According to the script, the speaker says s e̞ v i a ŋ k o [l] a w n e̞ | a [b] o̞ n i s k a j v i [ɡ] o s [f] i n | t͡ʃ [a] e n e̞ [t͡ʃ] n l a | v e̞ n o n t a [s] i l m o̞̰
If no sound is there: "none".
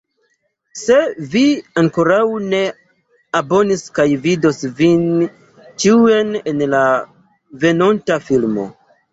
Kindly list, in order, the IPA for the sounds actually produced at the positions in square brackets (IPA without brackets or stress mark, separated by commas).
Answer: ɾ, b, d, v, i, none, f